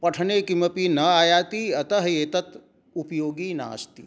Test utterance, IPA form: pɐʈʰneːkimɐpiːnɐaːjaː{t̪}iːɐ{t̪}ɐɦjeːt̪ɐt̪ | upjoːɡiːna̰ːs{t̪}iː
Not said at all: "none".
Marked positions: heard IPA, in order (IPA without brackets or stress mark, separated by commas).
t̪, t̪, t̪